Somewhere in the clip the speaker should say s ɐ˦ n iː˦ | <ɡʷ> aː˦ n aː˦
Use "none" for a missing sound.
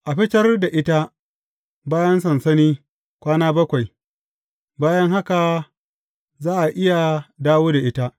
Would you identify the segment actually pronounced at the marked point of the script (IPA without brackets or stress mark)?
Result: kʷ